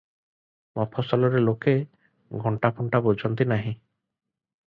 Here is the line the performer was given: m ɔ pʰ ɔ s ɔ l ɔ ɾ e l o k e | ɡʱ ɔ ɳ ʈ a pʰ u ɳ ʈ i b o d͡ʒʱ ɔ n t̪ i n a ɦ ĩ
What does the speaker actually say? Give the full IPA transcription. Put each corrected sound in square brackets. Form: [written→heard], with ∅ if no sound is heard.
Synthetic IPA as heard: m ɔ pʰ ɔ s ɔ l ɔ ɾ e l o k e | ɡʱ ɔ ɳ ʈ a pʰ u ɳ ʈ [i→a] b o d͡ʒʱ ɔ n t̪ i n a ɦ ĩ